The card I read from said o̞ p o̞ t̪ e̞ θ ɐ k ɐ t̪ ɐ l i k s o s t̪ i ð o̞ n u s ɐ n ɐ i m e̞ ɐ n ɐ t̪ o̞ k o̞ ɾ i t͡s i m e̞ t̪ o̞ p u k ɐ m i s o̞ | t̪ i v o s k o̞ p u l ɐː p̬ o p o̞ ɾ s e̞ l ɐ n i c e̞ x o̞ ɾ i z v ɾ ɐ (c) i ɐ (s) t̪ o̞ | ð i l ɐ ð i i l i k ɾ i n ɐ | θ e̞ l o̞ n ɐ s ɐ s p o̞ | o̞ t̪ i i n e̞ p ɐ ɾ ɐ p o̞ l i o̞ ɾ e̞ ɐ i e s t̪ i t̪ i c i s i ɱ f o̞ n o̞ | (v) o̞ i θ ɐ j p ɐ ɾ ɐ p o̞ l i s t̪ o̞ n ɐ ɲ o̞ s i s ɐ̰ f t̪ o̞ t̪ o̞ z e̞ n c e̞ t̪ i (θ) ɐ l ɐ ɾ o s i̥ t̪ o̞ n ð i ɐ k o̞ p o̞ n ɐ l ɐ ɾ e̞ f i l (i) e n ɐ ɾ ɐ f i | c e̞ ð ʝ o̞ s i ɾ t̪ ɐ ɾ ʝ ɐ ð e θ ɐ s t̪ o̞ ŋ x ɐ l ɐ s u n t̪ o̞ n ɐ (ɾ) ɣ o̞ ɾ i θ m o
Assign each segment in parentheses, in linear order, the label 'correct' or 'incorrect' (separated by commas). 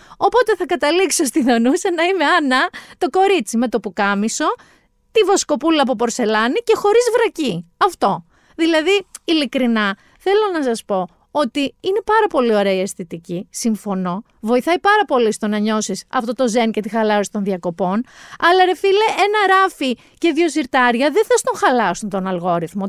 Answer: correct, incorrect, correct, incorrect, incorrect, incorrect